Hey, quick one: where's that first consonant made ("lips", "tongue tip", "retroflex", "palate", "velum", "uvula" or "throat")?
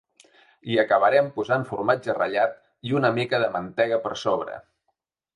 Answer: velum